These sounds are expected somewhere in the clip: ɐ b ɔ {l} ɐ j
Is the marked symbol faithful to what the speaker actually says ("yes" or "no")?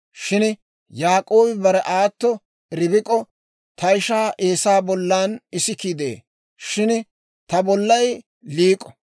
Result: no